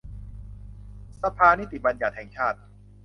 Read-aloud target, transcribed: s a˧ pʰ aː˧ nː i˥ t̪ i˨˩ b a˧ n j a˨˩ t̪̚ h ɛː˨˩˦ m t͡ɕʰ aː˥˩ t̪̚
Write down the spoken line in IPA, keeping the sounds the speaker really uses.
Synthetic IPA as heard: s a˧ pʰ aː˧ n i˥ t̪ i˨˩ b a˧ n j a˨˩ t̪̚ h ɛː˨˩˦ ŋ t͡ɕʰ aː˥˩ t̪̚

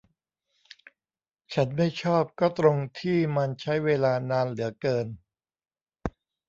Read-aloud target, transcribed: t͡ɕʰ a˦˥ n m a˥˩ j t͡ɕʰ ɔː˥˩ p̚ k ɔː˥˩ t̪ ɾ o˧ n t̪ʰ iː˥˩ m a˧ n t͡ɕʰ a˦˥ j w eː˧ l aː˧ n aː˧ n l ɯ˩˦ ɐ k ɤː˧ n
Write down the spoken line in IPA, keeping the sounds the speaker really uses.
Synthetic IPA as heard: t͡ɕʰ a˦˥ n m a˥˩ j t͡ɕʰ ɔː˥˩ p̚ k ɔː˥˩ t̪ ɾ o˧ ŋ t̪ʰ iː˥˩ m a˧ n t͡ɕʰ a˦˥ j w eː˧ l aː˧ n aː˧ n l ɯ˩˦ ɐ k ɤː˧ n

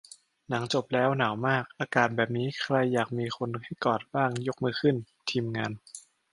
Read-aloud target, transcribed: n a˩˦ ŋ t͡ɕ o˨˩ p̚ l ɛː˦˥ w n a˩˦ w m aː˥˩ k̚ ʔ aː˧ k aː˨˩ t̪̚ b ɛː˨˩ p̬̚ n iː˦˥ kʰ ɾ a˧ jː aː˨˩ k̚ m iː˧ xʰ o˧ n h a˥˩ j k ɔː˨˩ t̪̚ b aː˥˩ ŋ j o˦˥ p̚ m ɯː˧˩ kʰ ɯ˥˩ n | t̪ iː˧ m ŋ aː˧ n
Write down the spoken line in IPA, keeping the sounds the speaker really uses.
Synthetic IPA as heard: n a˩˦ ŋ t͡ɕ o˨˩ p̚ l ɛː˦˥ w n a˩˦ w m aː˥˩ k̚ ʔ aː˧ k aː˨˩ t̪̚ b ɛː˨˩ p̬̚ n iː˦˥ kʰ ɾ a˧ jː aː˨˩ k̚ m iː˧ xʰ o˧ n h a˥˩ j k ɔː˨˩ t̪̚ b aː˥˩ ŋ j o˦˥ k̚ m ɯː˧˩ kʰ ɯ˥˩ n | t̪ʰ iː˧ m ŋ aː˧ n

